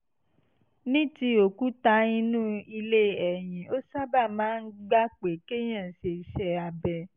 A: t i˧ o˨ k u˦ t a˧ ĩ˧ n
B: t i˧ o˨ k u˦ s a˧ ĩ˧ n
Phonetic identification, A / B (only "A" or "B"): A